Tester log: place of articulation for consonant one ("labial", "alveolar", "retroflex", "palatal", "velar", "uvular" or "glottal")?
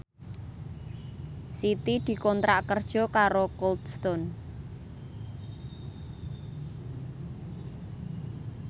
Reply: alveolar